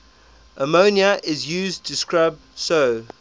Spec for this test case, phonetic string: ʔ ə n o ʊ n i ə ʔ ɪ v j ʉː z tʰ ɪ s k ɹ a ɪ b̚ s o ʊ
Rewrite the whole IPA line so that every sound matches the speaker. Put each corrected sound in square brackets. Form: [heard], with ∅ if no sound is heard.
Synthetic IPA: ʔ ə [m] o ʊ n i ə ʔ ɪ [z] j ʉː z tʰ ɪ s k ɹ a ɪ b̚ s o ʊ